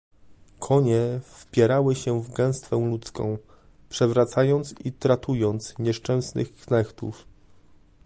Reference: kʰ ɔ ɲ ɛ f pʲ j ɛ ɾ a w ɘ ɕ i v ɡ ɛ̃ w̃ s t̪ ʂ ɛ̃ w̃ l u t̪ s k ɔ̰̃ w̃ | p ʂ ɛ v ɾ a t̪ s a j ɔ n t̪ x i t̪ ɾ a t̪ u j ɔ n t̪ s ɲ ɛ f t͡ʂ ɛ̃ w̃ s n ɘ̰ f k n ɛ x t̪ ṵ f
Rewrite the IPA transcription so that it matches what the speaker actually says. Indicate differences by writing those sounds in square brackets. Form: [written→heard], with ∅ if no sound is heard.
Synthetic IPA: kʰ ɔ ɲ ɛ f pʲ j ɛ ɾ a w ɘ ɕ [i→ɛ] v ɡ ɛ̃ w̃ s t̪ [ʂ→f] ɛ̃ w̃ l u t̪ s k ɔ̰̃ w̃ | p ʂ ɛ v ɾ a t̪ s a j ɔ n t̪ [x→s] i t̪ ɾ a t̪ u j ɔ n t̪ s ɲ ɛ [f→ʂ] t͡ʂ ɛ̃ w̃ s n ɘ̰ [f→x] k n ɛ x t̪ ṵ f